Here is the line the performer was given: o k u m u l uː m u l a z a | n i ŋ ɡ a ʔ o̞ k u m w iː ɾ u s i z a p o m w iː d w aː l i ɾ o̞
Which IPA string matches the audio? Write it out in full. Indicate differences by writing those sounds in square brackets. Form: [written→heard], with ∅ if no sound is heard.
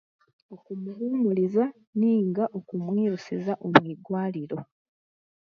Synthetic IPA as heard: o k u m u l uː m u l [a→i] z a | n [i→iː] ŋ ɡ a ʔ o̞ k u m w iː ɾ u s i z a [p→ʔ] o m w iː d w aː l i ɾ o̞